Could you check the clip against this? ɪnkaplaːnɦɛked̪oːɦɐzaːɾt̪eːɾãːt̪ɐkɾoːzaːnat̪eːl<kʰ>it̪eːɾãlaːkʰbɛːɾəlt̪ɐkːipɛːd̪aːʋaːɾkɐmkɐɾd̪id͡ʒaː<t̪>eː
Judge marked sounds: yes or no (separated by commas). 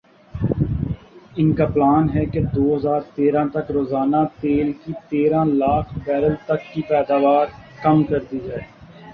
no, no